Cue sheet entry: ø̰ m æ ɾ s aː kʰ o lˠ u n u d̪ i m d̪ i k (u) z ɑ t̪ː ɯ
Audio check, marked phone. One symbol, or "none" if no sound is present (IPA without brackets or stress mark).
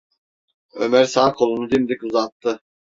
u